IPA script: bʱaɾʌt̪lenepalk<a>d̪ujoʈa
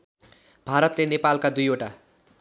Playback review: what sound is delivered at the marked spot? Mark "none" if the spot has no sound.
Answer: a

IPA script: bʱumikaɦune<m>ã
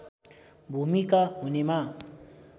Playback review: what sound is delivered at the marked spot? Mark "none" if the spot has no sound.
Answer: m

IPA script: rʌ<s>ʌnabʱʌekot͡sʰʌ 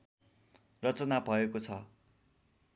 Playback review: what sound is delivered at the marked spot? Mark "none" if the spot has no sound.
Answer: t͡s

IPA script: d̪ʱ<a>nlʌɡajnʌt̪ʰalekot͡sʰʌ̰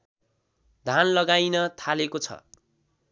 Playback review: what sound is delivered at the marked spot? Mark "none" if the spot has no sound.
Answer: a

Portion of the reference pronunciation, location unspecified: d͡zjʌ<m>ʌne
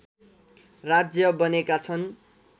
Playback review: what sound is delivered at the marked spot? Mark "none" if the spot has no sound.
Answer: b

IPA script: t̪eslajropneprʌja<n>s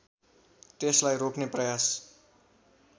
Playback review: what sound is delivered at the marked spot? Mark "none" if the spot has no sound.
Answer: none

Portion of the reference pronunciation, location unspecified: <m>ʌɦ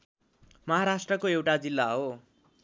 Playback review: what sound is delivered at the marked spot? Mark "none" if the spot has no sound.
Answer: m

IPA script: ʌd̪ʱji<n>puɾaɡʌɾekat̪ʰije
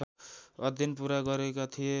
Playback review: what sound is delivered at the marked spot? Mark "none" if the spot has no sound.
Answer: n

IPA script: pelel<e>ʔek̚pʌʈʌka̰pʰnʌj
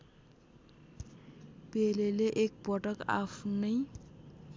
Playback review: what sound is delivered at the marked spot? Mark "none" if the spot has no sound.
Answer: e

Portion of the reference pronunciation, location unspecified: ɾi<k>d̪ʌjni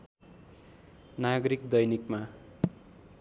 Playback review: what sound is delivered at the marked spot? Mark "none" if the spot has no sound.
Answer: k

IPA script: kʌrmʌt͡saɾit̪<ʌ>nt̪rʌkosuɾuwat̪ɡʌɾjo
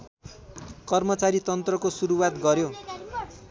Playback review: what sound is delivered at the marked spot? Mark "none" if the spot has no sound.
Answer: ʌ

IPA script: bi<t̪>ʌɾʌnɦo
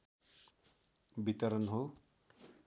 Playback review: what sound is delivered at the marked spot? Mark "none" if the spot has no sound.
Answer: t̪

